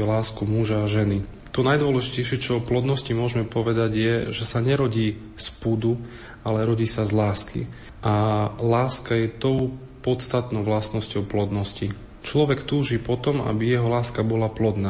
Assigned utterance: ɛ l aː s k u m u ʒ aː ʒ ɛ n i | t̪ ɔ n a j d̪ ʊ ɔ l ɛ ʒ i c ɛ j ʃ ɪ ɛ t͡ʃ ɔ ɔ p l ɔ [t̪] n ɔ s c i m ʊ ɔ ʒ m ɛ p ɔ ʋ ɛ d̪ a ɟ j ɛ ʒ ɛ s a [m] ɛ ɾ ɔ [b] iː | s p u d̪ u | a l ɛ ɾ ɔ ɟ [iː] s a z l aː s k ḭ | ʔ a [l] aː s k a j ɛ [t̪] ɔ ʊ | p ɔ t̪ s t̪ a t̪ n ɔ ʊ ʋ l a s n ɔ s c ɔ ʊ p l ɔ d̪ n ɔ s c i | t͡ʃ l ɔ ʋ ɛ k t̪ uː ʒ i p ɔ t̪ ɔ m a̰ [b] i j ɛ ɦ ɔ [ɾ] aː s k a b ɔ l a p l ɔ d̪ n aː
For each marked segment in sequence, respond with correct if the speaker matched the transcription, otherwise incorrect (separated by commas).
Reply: incorrect, incorrect, incorrect, correct, correct, correct, correct, incorrect